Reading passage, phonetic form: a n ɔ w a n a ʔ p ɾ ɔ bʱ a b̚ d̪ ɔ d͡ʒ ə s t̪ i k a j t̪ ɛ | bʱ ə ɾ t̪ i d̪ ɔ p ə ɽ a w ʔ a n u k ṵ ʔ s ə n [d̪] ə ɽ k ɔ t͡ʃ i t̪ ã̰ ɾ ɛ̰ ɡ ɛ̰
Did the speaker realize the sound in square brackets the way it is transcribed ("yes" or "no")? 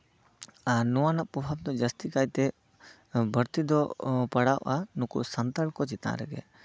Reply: no